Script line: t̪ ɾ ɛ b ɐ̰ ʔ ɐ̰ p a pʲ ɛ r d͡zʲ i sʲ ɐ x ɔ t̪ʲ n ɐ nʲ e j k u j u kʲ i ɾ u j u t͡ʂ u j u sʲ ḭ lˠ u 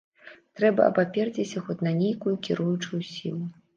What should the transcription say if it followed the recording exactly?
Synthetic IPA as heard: t̪ ɾ ɛ b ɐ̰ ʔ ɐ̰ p a pʲ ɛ r d͡zʲ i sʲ ɐ x ɔ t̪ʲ n ɐ nʲ e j k u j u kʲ i ɾ u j u t͡ʂ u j u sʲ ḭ lˠ u